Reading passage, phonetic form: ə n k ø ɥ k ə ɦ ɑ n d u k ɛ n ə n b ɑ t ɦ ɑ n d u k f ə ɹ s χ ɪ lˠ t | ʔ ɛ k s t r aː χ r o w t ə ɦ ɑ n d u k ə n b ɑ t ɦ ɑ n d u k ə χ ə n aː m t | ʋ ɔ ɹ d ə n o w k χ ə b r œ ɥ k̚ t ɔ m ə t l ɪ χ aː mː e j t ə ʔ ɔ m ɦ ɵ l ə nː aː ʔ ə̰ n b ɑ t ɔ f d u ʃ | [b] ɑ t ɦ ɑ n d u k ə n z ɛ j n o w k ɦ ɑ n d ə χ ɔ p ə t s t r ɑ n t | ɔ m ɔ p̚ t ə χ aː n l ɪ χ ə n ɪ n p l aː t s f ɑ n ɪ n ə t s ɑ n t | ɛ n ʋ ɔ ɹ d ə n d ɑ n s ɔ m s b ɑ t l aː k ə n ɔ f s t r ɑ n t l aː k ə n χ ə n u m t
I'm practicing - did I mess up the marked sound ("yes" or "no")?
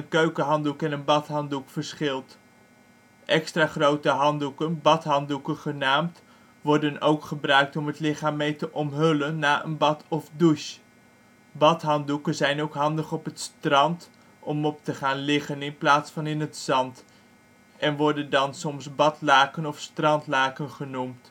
no